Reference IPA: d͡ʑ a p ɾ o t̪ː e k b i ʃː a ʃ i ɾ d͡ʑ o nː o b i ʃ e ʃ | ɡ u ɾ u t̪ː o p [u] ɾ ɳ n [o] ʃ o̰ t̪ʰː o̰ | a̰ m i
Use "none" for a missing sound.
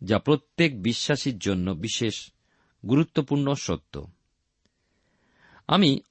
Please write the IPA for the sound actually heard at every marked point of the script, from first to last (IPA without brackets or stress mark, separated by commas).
u, o